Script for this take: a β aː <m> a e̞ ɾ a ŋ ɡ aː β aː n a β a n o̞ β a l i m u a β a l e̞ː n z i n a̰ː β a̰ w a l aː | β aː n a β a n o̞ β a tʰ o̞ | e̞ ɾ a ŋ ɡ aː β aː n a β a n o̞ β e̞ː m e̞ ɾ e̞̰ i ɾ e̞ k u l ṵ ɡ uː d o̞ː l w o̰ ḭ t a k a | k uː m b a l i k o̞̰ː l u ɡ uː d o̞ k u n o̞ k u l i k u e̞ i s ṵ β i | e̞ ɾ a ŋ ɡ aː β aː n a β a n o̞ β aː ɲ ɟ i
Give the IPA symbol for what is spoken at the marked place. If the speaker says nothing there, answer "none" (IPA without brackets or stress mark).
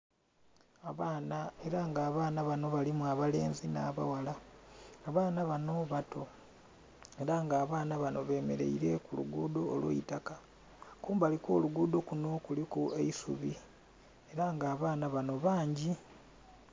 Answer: n